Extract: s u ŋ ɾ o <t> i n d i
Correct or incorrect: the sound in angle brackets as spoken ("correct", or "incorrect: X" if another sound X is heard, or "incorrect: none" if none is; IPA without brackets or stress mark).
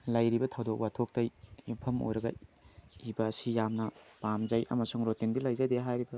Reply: correct